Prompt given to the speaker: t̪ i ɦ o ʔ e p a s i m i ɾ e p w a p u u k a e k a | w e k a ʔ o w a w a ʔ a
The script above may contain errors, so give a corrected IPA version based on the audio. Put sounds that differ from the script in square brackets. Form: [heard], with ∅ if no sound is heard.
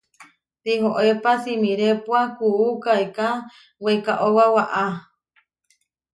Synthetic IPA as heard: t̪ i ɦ o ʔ e p a s i m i ɾ e p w a [k] u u k a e k a | w e k a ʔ o w a w a ʔ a